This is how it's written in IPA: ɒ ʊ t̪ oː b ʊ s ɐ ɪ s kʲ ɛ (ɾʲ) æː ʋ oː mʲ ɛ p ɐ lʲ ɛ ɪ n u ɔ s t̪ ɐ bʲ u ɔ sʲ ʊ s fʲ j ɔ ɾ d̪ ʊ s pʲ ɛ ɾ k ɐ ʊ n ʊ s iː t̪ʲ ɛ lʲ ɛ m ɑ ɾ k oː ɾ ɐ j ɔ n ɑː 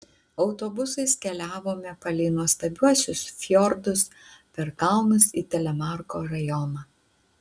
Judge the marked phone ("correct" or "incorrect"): incorrect